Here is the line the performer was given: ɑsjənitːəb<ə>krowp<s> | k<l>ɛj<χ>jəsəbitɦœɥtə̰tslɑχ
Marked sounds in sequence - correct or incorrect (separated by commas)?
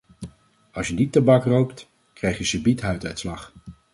incorrect, incorrect, incorrect, correct